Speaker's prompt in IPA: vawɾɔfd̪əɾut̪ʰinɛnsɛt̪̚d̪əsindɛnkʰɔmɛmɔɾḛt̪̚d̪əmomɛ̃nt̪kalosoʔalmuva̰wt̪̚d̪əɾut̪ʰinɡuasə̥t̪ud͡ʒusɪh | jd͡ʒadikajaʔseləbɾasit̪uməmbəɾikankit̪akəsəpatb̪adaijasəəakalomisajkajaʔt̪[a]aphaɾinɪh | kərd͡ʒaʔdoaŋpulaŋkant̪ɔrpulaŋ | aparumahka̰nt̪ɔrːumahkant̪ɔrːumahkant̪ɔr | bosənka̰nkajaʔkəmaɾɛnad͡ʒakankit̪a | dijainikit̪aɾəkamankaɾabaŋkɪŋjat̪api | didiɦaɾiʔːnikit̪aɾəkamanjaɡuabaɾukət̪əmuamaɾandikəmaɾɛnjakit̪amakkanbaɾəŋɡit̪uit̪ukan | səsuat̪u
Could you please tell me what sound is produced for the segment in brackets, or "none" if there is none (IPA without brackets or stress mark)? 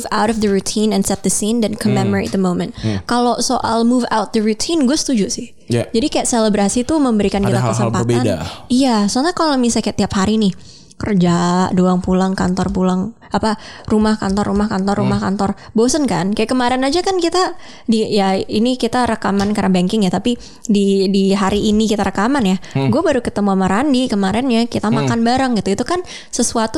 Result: i